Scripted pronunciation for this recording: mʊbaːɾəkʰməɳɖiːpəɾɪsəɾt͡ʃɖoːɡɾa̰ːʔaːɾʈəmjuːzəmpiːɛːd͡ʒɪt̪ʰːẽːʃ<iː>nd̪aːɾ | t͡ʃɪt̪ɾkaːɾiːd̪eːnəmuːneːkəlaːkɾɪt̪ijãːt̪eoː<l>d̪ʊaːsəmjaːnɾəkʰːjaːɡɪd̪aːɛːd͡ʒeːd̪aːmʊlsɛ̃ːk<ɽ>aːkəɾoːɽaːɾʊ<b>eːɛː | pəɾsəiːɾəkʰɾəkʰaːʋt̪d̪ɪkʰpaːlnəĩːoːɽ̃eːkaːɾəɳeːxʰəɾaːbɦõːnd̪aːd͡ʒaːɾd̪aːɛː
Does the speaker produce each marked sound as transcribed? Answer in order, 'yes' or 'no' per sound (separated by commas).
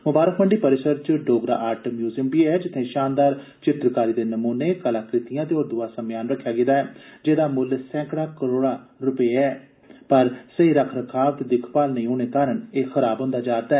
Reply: no, no, yes, no